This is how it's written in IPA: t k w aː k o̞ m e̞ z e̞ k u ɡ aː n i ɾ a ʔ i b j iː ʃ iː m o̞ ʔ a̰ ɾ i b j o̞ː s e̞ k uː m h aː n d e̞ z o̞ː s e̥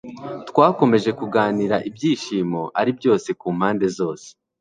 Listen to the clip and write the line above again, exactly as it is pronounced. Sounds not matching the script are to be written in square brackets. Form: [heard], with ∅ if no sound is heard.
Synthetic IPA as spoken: t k w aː k o̞ m e̞ [ʒ] e̞ k u ɡ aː n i ɾ a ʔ i b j iː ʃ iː m o̞ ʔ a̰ ɾ i b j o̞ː s e̞ k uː m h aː n d e̞ z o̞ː s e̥